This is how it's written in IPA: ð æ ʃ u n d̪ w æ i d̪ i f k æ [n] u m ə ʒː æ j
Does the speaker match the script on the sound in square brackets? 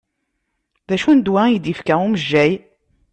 no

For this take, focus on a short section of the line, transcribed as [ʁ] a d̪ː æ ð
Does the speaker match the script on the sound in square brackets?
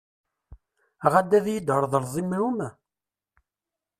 yes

